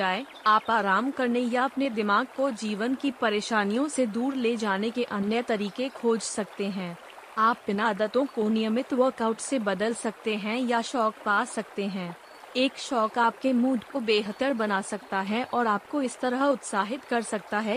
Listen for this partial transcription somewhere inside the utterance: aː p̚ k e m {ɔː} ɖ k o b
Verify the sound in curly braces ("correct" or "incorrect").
incorrect